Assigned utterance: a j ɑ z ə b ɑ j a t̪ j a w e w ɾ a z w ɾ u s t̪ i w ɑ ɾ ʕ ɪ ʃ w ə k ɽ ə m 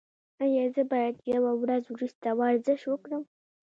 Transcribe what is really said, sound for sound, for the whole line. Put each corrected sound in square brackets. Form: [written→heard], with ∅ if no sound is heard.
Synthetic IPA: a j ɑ z ə b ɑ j a [t̪→d̪] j a w [e→a] w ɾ a z w ɾ u s t̪ [i→a] w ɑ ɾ [ʕ→z] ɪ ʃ w ə k ɽ ə m

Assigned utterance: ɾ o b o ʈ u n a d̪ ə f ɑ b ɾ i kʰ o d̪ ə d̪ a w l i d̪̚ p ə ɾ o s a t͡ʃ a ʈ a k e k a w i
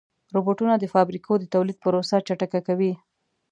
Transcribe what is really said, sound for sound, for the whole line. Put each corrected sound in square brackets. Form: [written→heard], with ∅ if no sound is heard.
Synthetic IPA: ɾ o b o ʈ u n a d̪ ə f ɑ b ɾ i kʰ o d̪ ə [d̪→t̪] a w l i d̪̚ p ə ɾ o s a t͡ʃ a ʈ a k [e→a] k a w i

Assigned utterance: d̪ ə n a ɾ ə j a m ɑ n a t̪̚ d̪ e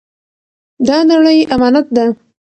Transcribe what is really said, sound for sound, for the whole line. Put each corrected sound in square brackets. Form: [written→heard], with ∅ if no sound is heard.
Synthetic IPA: d̪ [ə→ɑ] n a [ɾ→ɽ] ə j a m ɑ n a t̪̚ d̪ [e→a]

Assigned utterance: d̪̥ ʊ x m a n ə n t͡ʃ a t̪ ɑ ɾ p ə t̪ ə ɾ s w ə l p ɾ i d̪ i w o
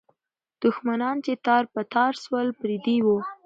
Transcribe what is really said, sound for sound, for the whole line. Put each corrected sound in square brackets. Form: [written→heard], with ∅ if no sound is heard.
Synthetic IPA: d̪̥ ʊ x m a n [ə→ɑ] n t͡ʃ [a→e] t̪ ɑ ɾ p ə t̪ [ə→ɑ] ɾ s w ə l p ɾ i d̪ i w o

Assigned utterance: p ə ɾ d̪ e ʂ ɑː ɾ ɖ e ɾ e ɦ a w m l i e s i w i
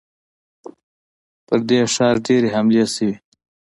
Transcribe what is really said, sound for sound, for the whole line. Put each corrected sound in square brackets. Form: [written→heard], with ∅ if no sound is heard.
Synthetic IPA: p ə ɾ d̪ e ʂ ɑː ɾ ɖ e ɾ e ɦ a [w→∅] m l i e s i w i

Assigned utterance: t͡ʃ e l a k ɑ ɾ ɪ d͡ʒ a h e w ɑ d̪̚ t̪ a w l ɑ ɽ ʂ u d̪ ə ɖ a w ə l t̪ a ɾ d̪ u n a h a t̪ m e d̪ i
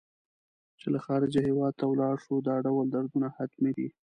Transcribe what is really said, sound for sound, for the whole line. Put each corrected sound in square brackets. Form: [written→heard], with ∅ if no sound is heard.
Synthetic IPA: t͡ʃ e l a [k→x] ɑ ɾ ɪ d͡ʒ a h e w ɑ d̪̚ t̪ a w l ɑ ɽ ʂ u d̪ [ə→ɑ] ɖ a w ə l [t̪→d̪] a ɾ d̪ u n a h a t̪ m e d̪ i

